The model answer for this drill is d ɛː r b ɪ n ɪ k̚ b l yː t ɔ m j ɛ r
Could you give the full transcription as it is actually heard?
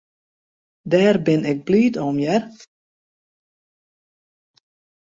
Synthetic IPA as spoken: d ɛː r b ɪ n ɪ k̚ b l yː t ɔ m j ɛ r